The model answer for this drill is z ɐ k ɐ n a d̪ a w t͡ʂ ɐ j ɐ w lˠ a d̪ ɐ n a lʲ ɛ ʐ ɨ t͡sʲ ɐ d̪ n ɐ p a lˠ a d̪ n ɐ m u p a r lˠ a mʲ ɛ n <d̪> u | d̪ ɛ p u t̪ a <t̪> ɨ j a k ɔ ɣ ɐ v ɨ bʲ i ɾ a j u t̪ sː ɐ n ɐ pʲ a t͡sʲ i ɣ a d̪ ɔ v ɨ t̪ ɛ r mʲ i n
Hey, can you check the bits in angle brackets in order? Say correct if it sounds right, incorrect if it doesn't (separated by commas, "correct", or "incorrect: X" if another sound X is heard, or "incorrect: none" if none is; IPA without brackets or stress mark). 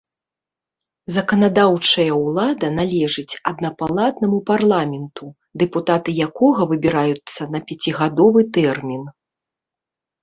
incorrect: t̪, correct